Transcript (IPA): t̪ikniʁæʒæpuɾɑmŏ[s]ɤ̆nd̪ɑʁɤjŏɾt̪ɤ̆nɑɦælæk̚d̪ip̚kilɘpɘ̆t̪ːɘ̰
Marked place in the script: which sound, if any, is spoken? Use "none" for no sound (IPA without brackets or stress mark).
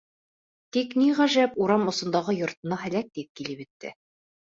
s